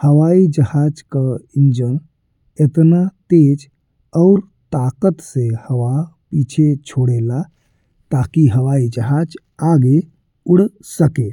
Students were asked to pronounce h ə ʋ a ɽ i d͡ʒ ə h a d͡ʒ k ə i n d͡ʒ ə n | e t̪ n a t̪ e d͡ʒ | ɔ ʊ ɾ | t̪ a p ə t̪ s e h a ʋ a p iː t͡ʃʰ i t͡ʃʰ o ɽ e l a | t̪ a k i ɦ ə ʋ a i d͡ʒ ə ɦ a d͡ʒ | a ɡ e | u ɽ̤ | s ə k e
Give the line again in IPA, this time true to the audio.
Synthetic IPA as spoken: h ə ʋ a i d͡ʒ ə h a d͡ʒ k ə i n d͡ʒ ə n | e t̪ n a t̪ e d͡ʒ | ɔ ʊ ɾ | t̪ a k ə t̪ s e h ə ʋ a p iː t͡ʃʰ e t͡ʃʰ o ɽ e l a | t̪ a k i ɦ ə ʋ a i d͡ʒ ə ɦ a d͡ʒ | a ɡ e | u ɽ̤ | s ə k e